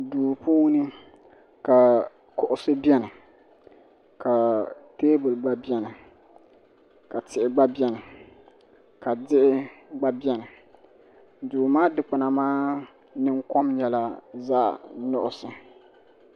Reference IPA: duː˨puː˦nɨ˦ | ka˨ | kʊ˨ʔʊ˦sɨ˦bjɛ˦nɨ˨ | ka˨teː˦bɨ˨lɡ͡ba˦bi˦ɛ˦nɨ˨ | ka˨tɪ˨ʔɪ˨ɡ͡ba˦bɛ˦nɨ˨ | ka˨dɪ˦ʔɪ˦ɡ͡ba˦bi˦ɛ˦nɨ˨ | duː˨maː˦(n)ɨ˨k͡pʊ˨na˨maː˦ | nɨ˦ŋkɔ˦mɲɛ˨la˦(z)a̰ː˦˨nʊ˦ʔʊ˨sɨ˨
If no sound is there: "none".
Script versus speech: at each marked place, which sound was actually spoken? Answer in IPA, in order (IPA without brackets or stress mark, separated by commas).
d, z